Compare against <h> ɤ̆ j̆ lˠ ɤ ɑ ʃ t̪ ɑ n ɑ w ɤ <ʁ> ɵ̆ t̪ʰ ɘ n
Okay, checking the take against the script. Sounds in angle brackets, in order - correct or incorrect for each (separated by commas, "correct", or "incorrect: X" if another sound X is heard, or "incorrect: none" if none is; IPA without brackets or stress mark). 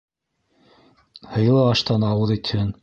correct, incorrect: ð